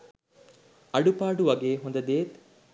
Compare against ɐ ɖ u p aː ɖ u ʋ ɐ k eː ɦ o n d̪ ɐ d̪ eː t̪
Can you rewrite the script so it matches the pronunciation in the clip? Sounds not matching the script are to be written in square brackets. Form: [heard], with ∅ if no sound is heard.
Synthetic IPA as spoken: ɐ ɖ u p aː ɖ u ʋ ɐ [ɡ] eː ɦ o n d̪ ɐ d̪ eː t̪